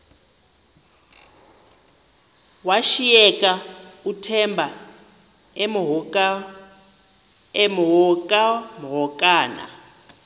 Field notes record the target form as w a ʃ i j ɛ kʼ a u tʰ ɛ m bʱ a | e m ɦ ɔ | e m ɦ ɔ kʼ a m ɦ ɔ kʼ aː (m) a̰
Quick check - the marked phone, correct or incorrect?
incorrect: n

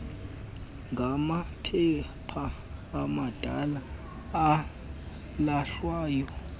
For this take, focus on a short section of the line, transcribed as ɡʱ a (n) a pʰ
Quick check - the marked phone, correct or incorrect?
incorrect: m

